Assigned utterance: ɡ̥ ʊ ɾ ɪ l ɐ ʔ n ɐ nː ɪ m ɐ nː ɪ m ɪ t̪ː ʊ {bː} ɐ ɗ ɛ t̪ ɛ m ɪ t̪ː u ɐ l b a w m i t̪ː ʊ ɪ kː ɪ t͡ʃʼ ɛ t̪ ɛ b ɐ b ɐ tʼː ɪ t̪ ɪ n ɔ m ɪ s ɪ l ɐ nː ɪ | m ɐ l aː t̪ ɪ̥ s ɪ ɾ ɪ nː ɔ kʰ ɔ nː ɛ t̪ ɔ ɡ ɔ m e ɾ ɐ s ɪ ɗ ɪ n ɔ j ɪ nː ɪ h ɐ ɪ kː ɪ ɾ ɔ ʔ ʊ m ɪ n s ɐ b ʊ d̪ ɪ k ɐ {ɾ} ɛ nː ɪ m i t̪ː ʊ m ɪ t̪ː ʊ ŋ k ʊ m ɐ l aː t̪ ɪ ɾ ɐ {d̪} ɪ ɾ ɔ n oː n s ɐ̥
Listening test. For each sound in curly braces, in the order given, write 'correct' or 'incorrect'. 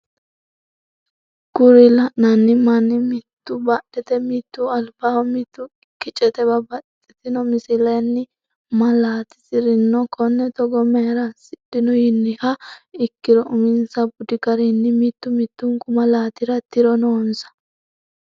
incorrect: b, correct, incorrect: t̪

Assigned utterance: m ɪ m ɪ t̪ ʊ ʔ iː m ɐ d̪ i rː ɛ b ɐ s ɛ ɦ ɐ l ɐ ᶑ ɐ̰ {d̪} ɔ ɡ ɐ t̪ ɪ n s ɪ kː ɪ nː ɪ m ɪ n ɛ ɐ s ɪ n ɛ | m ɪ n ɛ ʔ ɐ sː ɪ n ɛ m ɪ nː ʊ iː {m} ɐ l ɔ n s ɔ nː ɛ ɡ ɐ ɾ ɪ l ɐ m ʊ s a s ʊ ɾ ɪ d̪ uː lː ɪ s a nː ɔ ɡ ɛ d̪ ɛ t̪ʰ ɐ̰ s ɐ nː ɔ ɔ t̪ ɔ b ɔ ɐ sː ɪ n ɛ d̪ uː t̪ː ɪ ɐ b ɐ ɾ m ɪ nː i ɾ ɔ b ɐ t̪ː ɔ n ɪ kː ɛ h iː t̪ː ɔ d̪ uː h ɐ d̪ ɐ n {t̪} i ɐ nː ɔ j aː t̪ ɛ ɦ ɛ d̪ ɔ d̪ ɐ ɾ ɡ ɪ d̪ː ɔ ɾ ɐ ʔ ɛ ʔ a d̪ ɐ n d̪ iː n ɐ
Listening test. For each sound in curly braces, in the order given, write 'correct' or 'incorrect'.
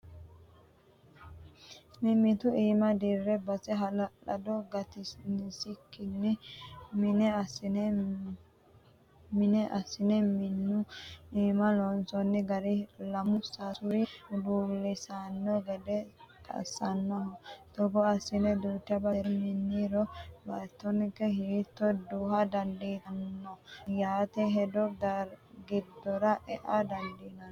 correct, correct, incorrect: d̪

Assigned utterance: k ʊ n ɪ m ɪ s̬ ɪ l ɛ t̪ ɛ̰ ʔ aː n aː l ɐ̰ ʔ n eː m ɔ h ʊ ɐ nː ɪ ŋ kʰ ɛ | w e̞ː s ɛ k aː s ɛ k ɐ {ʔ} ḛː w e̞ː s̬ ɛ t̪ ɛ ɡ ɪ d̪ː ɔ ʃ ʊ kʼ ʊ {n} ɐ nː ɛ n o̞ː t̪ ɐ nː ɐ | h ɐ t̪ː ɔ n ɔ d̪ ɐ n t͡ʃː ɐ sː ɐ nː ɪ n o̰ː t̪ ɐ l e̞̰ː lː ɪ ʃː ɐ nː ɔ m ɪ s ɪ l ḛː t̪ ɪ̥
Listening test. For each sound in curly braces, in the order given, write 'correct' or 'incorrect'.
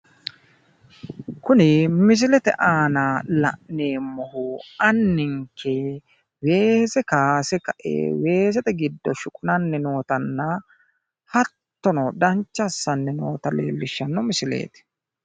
correct, correct

